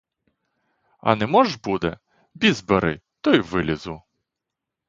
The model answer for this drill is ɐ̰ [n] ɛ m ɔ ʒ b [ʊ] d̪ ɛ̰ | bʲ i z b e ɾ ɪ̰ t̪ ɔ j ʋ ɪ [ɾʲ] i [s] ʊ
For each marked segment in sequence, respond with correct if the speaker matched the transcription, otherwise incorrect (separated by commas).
correct, incorrect, incorrect, incorrect